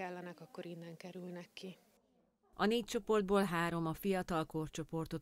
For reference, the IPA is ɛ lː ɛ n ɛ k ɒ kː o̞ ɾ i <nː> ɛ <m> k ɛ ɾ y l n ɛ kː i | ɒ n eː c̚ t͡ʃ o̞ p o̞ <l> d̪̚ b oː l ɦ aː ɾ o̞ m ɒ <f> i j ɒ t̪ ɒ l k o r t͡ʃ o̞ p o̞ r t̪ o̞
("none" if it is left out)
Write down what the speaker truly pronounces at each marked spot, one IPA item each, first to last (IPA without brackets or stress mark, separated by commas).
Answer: nː, ŋ, r, f